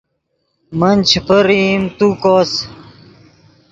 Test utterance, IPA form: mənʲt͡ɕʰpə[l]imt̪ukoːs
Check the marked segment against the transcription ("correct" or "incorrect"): incorrect